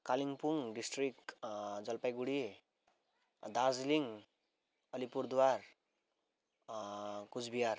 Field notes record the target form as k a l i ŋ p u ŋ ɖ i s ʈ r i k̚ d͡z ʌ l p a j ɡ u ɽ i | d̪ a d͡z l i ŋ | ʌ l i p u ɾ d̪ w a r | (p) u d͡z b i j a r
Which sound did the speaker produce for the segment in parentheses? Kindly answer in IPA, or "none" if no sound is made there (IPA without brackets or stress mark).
k